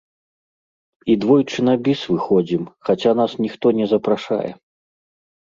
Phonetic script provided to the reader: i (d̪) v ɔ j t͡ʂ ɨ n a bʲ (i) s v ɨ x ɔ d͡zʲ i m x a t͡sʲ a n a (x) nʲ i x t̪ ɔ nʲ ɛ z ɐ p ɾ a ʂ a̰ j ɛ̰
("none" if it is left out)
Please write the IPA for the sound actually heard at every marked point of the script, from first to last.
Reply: d̪, i, s

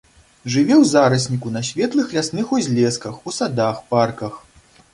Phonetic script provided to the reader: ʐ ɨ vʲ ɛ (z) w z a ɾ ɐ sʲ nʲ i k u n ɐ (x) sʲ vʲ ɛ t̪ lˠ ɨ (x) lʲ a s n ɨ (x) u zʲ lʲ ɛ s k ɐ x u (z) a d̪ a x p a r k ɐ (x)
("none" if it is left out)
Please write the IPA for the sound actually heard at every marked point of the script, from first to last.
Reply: none, none, x, x, s, x

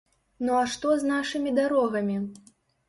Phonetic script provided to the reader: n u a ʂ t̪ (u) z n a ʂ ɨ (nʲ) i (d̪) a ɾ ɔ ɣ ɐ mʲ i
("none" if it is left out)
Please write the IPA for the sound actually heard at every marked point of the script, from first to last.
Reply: ɔ, mʲ, d̪

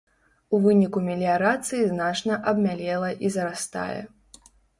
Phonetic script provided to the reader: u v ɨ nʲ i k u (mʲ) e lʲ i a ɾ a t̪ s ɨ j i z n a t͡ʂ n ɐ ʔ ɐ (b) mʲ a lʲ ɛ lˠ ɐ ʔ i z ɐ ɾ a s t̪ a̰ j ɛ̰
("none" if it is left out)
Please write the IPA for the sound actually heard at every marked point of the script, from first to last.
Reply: mʲ, b

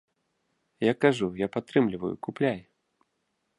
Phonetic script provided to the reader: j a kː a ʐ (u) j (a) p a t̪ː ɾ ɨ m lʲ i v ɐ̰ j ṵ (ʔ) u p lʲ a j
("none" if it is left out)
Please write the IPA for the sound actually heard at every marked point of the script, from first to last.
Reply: u, a, k

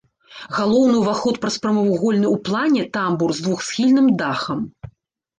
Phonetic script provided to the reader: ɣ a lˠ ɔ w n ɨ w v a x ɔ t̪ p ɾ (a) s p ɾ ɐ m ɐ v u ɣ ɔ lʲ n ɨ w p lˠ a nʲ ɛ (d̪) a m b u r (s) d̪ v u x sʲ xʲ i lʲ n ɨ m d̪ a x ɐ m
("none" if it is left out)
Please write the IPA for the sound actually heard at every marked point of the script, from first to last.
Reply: ɐ, t̪, z

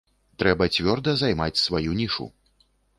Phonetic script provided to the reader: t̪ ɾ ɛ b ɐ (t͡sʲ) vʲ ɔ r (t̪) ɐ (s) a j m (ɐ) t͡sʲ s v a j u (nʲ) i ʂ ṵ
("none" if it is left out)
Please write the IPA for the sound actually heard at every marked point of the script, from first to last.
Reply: t͡sʲ, d̪, z, a, nʲ

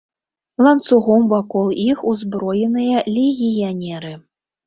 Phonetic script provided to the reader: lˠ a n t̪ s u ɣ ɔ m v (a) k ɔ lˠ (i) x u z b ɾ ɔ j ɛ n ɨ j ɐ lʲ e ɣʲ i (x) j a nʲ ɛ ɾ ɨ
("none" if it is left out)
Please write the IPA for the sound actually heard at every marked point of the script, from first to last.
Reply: a, i, none

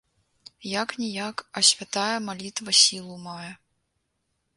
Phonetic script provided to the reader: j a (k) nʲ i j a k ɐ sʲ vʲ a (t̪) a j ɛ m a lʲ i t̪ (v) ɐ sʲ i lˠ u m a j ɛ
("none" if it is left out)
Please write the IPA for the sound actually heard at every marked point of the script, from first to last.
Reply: k, t̪, v

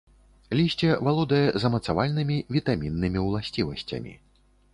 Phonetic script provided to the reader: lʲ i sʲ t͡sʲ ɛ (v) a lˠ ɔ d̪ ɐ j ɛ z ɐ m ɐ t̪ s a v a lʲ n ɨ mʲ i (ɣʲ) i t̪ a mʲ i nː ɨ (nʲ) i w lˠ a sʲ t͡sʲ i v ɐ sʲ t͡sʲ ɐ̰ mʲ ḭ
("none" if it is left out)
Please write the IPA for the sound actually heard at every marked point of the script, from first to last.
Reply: v, vʲ, mʲ

